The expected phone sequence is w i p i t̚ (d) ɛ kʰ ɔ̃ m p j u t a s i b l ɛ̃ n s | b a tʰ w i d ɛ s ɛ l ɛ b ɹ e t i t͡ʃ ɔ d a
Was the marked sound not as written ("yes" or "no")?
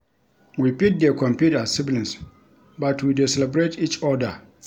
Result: no